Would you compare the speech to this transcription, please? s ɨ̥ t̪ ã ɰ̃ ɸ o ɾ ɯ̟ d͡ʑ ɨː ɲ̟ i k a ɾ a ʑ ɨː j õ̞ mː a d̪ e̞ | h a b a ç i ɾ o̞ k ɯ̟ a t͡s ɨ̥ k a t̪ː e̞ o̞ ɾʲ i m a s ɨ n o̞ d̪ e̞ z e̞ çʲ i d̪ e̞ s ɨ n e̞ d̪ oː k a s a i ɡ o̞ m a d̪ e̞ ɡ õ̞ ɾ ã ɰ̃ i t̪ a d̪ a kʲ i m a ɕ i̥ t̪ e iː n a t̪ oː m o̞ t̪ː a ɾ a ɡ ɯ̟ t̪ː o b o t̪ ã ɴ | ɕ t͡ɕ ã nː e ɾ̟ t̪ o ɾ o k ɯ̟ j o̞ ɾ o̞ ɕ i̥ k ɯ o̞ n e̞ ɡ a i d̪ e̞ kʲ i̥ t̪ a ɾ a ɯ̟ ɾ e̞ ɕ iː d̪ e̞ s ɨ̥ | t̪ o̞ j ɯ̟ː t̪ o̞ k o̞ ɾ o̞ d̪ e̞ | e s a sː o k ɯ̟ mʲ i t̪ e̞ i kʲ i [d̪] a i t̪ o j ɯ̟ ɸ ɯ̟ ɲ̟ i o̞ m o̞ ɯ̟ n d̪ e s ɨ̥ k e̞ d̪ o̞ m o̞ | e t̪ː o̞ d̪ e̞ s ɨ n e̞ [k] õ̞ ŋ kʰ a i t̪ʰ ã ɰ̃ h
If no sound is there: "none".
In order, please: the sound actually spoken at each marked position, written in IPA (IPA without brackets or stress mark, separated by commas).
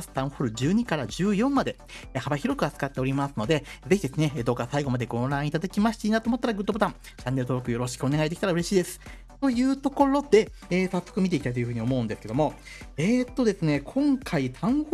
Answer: t̪, kʰ